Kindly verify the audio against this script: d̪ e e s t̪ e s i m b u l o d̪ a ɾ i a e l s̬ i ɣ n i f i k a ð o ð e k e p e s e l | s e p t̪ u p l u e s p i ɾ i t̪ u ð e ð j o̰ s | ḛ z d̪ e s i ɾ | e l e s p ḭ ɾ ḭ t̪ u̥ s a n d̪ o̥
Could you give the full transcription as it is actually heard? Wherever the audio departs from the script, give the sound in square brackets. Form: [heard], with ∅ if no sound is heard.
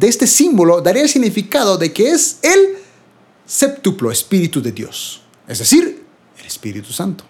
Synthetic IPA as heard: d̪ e e s t̪ e s i m b [o] l o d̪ a ɾ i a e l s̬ i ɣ n i f i k a ð o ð e k e [∅] e s e l | s e p t̪ u p l [o] e s p i ɾ i t̪ u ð e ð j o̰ s | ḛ z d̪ e s i ɾ | e l e s p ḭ ɾ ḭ t̪ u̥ s a n [t̪] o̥